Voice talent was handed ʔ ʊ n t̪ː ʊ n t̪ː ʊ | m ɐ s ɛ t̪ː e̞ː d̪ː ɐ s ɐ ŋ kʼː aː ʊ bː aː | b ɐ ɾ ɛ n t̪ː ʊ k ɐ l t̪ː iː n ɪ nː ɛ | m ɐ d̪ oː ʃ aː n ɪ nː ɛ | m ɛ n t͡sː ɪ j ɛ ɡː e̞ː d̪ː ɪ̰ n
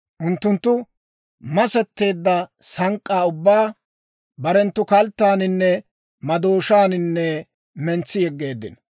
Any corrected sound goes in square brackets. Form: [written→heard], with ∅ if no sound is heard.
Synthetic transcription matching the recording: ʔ ʊ n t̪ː ʊ n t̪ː ʊ | m ɐ s ɛ t̪ː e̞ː d̪ː ɐ s ɐ ŋ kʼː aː ʊ bː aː | b ɐ ɾ ɛ n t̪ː ʊ k ɐ l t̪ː [iː→aː] n ɪ nː ɛ | m ɐ d̪ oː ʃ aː n ɪ nː ɛ | m ɛ n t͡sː ɪ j ɛ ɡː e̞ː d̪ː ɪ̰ n

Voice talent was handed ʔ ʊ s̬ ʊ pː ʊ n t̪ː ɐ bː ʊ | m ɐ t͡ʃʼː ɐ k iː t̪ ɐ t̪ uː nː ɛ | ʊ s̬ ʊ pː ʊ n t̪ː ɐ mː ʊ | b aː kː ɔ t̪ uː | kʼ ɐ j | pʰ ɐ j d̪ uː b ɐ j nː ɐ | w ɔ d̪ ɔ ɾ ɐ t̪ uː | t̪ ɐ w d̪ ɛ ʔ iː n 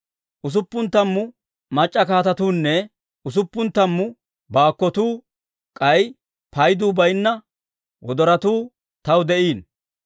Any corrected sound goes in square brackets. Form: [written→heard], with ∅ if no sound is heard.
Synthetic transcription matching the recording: ʔ ʊ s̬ ʊ pː ʊ n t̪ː ɐ [bː→mː] ʊ | m ɐ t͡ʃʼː ɐ k [iː→aː] t̪ ɐ t̪ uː nː ɛ | ʊ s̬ ʊ pː ʊ n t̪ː ɐ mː ʊ | b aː kː ɔ t̪ uː | kʼ ɐ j | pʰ ɐ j d̪ uː b ɐ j nː ɐ | w ɔ d̪ ɔ ɾ ɐ t̪ uː | t̪ ɐ w d̪ ɛ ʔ iː n

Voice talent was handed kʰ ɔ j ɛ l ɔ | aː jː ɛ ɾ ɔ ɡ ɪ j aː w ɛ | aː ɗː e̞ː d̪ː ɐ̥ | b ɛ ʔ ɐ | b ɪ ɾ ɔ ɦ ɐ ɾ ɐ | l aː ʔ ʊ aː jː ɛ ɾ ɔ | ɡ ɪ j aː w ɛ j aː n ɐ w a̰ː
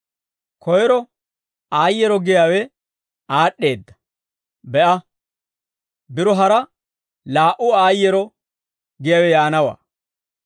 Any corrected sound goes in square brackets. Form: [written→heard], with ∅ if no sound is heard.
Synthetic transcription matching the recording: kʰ ɔ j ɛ [l→ɾ] ɔ | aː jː ɛ ɾ ɔ ɡ ɪ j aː w ɛ | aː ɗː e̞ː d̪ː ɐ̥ | b ɛ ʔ ɐ | b ɪ ɾ ɔ ɦ ɐ ɾ ɐ | l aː ʔ ʊ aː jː ɛ ɾ ɔ | ɡ ɪ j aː w ɛ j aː n ɐ w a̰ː

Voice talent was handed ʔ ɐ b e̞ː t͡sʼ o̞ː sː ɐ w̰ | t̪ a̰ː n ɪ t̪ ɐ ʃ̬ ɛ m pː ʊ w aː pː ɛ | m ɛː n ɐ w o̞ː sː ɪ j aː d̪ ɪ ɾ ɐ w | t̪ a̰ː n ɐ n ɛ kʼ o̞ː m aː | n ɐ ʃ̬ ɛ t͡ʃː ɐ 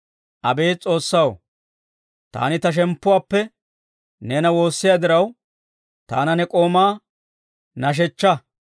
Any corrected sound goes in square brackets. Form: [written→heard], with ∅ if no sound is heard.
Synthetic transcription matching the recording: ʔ ɐ b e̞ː t͡sʼ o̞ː sː ɐ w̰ | t̪ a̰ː n ɪ t̪ ɐ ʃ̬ ɛ m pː ʊ w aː pː ɛ | [m→n] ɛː n ɐ w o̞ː sː ɪ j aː d̪ ɪ ɾ ɐ w | t̪ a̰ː n ɐ n ɛ kʼ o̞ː m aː | n ɐ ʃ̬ ɛ t͡ʃː ɐ

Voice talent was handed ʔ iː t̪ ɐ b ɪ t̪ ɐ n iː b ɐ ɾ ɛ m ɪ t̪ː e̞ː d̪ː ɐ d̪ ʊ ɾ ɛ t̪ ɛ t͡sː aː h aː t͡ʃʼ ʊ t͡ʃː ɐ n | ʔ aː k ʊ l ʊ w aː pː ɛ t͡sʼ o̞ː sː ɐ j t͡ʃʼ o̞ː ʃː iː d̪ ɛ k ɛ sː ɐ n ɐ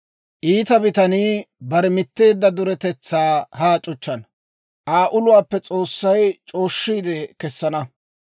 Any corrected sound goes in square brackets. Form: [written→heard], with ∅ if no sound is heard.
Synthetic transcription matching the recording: ʔ iː t̪ ɐ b ɪ t̪ ɐ n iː b ɐ ɾ ɛ m ɪ t̪ː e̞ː d̪ː ɐ d̪ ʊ ɾ ɛ t̪ ɛ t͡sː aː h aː t͡ʃʼ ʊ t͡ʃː ɐ n | ʔ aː [k→ʔ] ʊ l ʊ w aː pː ɛ t͡sʼ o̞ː sː ɐ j t͡ʃʼ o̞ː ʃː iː d̪ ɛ k ɛ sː ɐ n ɐ

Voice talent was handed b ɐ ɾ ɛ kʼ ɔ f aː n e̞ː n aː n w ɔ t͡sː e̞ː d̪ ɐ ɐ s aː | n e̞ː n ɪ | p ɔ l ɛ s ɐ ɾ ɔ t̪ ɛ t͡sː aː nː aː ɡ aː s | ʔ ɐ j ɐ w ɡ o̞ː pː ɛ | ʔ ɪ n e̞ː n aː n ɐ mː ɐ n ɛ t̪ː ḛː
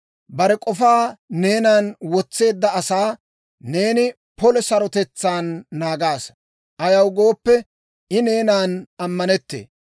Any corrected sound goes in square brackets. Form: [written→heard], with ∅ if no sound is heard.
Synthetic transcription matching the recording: b ɐ ɾ ɛ kʼ ɔ f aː n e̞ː n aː n w ɔ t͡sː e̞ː [d̪→d̪ː] ɐ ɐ s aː | n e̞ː n ɪ | p ɔ l ɛ s ɐ ɾ ɔ t̪ ɛ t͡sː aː nː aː ɡ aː s | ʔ ɐ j ɐ w ɡ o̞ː pː ɛ | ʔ ɪ n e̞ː n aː n ɐ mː ɐ n ɛ t̪ː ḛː

